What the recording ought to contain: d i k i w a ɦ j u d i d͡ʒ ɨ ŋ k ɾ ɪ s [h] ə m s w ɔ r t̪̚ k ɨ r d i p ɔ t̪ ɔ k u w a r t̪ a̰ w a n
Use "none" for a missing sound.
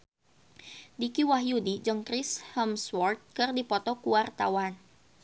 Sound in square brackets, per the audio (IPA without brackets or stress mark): h